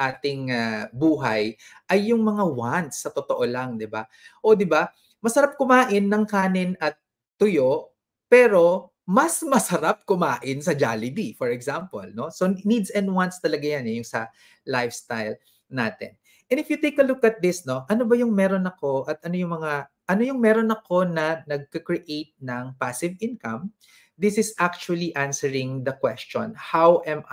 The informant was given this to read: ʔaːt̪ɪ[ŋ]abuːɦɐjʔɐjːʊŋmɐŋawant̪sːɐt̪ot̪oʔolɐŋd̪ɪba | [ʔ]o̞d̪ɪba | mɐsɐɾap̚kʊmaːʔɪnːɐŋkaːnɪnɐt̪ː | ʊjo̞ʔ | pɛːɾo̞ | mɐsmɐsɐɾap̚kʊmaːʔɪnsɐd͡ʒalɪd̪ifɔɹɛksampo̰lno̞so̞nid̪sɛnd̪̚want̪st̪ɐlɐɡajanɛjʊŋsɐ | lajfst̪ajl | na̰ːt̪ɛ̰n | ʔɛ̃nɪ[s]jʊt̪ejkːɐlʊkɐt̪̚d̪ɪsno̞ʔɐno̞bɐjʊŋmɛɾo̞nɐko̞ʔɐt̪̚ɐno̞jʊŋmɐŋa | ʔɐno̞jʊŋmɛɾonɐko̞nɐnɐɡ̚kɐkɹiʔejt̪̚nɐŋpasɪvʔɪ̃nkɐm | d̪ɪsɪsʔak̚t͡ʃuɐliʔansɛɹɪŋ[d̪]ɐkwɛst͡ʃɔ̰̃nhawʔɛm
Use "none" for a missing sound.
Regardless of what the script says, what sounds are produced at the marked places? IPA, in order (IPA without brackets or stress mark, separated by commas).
ŋ, ʔ, f, d̪